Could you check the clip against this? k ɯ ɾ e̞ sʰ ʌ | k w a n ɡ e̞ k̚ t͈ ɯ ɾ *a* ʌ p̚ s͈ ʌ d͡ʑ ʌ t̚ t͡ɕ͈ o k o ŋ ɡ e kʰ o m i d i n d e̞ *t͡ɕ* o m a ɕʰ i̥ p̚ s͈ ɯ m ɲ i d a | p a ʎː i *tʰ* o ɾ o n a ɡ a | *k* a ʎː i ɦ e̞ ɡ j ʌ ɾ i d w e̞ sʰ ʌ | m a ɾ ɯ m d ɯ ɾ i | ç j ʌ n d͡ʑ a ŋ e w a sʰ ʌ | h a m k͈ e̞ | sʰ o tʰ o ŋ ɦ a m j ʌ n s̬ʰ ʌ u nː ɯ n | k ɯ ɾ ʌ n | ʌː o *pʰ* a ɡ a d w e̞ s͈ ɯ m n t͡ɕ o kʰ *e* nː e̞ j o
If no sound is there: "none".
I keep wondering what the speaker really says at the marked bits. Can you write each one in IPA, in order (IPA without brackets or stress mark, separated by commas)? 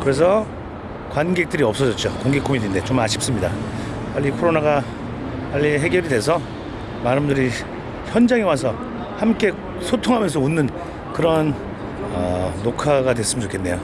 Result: i, t͡ɕ, kʰ, p, kʰ, e